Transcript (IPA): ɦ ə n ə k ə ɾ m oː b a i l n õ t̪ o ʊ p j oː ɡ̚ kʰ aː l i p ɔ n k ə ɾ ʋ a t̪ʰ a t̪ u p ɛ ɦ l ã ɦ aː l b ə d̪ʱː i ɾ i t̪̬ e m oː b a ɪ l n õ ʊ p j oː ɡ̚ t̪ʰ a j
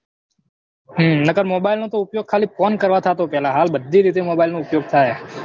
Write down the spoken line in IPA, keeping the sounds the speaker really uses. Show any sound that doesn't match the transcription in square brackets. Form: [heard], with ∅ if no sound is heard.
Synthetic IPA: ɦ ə n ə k ə ɾ m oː b a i l n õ t̪ o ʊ p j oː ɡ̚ kʰ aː l i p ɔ n k ə ɾ ʋ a t̪ʰ a t̪ [o] p ɛ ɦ l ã ɦ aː l b ə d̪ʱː i ɾ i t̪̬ e m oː b a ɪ l n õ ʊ p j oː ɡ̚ t̪ʰ a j